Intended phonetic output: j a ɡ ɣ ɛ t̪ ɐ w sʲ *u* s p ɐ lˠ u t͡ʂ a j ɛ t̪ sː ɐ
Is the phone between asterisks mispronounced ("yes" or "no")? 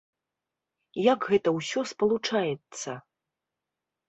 yes